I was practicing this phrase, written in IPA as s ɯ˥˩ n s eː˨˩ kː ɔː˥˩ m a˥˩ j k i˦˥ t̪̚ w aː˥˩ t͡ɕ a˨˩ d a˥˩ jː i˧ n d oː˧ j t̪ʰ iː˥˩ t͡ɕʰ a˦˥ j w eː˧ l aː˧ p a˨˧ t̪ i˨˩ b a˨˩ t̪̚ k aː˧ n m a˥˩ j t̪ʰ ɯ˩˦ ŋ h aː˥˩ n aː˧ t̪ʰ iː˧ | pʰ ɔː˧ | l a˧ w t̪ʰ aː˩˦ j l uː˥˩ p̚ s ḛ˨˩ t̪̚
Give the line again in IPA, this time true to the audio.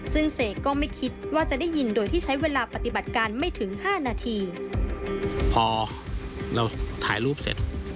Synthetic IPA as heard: s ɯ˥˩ ŋ s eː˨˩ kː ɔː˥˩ m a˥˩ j kʰ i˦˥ t̪̚ w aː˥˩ t͡ɕ a˨˩ d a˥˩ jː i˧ n d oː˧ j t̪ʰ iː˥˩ t͡ɕʰ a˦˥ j w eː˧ l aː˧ p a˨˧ t̪ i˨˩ b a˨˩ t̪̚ k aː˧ n m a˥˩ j t̪ʰ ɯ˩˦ ŋ h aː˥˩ n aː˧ t̪ʰ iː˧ | pʰ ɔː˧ | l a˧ w t̪ʰ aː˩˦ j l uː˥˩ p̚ s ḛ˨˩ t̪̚